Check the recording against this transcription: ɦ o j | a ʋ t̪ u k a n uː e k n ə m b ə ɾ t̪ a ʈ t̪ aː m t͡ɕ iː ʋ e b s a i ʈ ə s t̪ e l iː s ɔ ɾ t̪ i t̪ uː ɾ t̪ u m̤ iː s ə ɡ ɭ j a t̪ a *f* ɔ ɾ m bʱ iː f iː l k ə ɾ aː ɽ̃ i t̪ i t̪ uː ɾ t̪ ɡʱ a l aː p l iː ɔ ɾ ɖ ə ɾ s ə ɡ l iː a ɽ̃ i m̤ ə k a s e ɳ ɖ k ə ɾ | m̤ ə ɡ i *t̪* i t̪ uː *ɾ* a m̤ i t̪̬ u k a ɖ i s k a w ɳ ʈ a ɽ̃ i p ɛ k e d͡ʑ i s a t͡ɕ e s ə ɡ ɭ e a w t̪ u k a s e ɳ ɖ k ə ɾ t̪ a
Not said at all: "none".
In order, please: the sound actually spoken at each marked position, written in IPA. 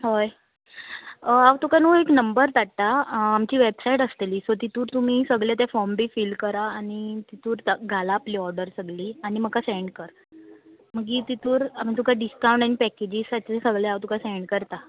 f, t̪, ɾ

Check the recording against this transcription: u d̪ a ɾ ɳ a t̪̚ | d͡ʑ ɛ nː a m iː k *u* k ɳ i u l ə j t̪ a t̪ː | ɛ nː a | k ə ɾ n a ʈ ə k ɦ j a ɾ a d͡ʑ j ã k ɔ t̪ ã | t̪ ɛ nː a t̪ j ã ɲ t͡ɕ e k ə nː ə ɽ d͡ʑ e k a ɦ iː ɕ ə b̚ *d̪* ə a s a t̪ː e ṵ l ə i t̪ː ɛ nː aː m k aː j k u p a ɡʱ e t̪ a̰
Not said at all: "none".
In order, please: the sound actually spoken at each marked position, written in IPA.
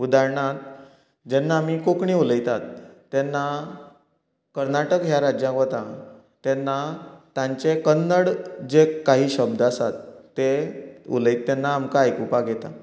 o, d̪

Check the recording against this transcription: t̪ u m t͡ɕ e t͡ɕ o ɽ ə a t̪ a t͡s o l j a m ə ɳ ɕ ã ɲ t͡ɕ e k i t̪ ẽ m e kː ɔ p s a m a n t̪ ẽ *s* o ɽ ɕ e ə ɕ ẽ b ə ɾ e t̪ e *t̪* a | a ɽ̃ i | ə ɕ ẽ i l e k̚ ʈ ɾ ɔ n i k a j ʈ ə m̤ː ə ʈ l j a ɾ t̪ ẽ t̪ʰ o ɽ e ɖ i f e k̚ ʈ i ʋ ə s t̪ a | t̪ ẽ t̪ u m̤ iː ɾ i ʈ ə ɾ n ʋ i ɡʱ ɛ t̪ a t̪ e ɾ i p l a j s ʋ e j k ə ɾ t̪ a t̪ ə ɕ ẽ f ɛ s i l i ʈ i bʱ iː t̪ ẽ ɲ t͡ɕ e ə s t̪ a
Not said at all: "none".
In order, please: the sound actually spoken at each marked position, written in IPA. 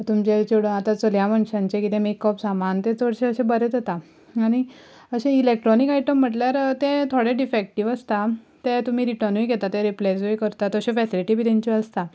t͡s, t̪

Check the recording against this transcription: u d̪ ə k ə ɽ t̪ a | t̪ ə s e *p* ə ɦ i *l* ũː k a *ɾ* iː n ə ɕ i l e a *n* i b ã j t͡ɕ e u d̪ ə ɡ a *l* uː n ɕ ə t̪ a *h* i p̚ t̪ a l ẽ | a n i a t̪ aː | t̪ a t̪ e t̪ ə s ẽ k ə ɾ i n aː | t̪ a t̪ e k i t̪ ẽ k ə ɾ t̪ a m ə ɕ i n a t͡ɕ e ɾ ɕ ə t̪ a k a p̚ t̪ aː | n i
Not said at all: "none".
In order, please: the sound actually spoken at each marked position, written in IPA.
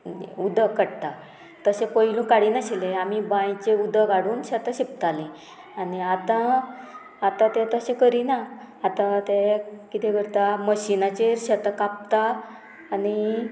p, l, ɽ, m, ɽ, ɕ

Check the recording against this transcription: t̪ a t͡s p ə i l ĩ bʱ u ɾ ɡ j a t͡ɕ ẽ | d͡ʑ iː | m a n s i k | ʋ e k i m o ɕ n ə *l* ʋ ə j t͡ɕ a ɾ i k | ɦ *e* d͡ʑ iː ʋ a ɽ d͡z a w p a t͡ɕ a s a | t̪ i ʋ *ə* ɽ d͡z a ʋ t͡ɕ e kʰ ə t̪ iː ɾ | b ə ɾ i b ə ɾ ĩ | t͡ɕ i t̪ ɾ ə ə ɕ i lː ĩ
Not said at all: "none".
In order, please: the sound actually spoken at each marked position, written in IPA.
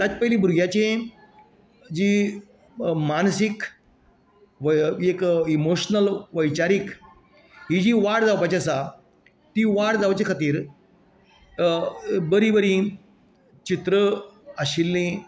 l, i, a

